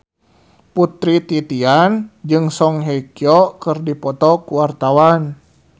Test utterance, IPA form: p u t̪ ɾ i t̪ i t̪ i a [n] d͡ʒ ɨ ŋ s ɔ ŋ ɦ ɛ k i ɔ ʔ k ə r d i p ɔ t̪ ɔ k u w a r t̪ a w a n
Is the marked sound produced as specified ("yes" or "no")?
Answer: yes